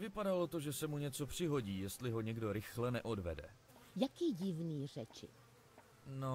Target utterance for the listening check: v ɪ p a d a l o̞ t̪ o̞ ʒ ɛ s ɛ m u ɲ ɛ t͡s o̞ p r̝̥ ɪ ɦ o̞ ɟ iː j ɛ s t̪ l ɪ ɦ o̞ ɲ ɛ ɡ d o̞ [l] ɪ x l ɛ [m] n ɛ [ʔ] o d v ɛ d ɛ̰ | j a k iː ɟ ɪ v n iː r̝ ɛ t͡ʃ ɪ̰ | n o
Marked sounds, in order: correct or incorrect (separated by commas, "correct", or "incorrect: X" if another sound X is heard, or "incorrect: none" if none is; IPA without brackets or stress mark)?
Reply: incorrect: ɾ, incorrect: none, correct